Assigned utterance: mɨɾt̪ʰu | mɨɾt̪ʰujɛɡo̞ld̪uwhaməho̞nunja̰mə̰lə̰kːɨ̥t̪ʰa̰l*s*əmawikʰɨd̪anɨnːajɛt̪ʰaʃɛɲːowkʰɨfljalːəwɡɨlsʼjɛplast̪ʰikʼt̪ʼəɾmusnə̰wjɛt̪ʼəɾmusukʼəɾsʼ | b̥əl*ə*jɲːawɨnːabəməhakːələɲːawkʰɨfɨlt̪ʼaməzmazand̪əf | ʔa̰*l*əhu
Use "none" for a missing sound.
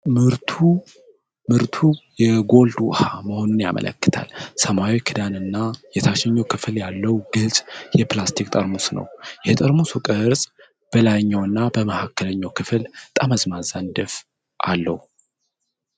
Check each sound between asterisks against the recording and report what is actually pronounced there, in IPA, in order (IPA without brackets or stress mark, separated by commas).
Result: s, a, lː